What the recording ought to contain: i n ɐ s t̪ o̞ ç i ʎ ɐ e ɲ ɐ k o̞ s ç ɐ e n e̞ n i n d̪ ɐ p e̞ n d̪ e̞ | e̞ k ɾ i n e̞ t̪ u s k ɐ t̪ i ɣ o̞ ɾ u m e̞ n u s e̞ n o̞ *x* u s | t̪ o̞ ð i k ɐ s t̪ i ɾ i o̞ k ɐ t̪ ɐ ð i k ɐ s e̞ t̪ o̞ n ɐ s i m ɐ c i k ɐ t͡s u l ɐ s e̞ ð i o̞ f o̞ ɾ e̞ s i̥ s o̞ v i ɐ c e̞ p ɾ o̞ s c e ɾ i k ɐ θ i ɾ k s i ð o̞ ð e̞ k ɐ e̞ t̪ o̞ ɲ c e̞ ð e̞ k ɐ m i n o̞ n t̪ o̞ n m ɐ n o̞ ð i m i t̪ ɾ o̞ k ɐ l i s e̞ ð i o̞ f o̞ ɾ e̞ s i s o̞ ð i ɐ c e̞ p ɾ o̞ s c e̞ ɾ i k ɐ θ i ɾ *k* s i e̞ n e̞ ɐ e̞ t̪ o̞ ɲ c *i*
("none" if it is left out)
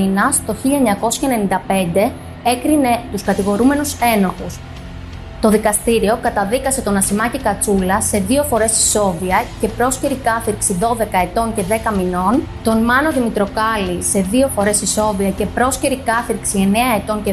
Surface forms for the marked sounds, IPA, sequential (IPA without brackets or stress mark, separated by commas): x, k, e